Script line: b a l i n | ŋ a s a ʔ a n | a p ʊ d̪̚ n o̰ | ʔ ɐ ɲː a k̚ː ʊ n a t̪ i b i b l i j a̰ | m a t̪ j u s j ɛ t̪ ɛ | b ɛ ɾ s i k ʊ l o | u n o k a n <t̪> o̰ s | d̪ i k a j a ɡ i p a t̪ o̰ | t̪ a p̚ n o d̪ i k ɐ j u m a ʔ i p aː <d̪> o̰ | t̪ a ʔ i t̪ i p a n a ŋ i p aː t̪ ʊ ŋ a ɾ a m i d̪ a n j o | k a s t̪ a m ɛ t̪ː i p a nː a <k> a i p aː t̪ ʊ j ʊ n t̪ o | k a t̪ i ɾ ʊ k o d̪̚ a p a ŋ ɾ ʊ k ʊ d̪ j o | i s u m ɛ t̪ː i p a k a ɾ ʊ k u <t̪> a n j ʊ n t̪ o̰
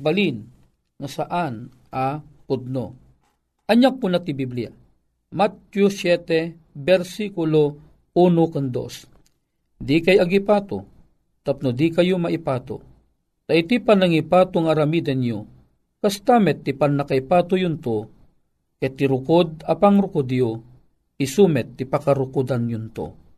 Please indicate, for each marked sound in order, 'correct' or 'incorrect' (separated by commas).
incorrect, incorrect, correct, incorrect